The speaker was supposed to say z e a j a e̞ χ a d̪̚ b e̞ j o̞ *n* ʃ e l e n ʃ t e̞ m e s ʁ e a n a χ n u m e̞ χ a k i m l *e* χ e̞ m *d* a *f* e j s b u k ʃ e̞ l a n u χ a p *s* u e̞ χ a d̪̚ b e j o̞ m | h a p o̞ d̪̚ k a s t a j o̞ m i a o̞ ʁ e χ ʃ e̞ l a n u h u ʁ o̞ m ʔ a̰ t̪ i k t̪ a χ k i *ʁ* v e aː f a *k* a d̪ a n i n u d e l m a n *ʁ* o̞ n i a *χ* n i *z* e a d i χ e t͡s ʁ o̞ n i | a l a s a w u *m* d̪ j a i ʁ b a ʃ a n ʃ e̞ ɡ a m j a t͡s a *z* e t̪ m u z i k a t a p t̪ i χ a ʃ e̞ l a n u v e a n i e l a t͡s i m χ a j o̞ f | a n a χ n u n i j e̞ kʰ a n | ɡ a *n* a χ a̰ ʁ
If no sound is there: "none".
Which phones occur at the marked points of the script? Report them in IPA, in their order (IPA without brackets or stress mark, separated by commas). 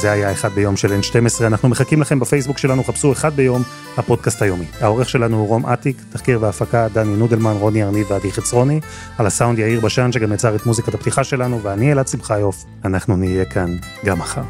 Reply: m, a, b, f, s, ʁ, k, ʁ, ʁ, v, n, ʁ, m